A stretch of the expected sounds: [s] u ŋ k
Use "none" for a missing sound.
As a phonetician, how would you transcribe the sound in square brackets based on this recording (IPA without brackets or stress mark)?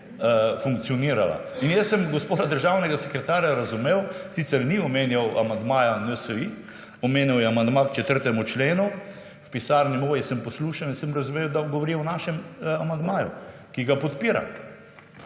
f